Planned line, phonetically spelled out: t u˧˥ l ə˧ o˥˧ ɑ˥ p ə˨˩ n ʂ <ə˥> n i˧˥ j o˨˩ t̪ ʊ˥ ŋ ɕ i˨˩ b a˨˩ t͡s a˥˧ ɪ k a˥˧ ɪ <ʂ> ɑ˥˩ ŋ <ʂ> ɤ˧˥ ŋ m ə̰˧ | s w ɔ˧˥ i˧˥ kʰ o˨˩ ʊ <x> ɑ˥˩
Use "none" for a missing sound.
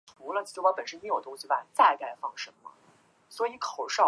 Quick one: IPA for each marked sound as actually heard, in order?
ə˥, f, ʂ, ʂ

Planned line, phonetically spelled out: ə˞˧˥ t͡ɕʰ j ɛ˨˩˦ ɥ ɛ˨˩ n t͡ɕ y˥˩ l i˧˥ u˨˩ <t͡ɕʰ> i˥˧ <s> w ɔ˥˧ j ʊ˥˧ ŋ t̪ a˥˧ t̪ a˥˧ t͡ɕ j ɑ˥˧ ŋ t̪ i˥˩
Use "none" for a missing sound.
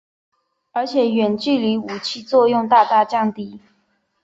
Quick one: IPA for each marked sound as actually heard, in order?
t͡ɕʰ, t͡s

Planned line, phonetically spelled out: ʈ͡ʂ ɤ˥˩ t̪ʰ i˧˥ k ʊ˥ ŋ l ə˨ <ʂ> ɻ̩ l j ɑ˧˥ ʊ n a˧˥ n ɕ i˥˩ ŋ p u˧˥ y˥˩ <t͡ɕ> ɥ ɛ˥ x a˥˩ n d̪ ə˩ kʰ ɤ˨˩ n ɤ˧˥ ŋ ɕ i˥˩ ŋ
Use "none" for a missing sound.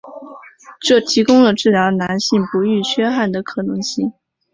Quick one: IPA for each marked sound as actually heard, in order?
ʈ͡ʂ, t͡ɕʰ

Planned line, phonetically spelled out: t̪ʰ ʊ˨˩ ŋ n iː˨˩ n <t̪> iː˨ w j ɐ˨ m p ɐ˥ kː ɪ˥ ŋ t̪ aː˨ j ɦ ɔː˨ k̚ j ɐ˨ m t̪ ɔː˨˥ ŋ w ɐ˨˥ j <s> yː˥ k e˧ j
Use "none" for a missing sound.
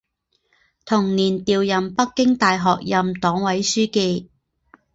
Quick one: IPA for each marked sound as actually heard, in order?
t̪, s

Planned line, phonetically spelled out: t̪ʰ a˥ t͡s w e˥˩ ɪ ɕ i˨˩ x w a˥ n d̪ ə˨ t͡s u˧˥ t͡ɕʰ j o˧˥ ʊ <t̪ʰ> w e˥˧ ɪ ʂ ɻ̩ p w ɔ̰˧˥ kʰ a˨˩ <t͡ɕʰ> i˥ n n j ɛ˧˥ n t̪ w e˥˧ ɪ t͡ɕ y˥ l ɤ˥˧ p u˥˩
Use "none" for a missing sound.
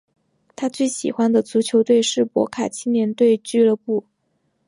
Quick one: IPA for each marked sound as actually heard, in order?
t̪, t͡ɕʰ

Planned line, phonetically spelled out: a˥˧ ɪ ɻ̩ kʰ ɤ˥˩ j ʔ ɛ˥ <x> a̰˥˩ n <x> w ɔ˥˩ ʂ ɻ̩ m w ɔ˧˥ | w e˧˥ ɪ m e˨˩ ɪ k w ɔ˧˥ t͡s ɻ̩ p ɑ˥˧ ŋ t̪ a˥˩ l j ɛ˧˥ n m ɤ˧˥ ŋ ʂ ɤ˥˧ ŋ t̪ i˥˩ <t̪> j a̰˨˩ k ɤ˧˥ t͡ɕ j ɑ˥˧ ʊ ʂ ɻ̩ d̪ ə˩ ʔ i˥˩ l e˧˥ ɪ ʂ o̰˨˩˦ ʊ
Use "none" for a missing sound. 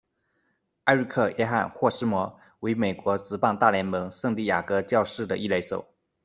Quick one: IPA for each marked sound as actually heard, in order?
x, x, none

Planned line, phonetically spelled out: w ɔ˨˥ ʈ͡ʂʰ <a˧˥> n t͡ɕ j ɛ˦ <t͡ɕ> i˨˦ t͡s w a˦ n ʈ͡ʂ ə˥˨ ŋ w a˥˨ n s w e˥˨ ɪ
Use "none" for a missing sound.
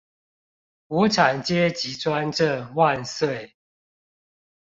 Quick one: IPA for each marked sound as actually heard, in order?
a˨˩, t͡ɕ

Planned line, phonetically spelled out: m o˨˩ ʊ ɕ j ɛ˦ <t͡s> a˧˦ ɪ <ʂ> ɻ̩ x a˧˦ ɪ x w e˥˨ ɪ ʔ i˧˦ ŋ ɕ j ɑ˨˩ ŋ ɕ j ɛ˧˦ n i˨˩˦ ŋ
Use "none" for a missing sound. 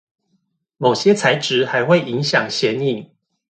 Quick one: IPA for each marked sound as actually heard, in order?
t͡sʰ, ʈ͡ʂ

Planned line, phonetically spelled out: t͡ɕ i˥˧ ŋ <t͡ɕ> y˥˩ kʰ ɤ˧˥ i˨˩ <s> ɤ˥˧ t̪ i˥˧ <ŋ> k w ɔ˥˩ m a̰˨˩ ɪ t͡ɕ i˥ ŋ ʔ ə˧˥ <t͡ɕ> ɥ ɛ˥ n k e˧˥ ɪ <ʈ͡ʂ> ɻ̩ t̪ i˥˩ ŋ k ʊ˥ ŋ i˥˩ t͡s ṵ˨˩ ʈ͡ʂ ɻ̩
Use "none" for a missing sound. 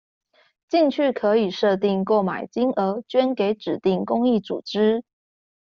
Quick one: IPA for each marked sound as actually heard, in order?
t͡ɕʰ, ʂ, ŋ, t͡ɕ, ʈ͡ʂ

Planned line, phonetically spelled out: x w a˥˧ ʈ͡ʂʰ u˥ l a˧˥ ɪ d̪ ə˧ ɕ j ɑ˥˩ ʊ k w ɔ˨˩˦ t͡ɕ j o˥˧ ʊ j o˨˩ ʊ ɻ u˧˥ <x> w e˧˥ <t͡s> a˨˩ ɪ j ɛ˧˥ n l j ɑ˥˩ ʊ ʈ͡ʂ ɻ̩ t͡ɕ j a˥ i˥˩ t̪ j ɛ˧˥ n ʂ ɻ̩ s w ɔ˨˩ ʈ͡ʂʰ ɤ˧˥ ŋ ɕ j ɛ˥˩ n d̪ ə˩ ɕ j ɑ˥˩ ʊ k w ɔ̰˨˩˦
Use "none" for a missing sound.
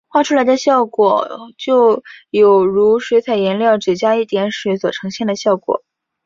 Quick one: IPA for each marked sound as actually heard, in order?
ʂ, t͡sʰ

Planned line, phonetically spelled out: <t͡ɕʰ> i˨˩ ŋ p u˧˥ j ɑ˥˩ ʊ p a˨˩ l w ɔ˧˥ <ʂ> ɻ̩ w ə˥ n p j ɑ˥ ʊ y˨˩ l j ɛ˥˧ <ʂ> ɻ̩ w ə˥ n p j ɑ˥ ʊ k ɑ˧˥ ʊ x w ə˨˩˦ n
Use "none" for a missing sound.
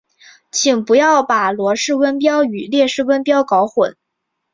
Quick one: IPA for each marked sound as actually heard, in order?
t͡ɕʰ, ʂ, ʂ

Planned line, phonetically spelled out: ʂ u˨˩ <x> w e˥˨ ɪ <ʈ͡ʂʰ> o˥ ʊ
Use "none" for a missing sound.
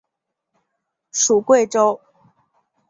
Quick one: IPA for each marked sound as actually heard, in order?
k, ʈ͡ʂ

